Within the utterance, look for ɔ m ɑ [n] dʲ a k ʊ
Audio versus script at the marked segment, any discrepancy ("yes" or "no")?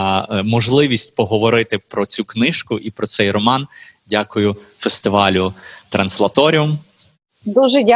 no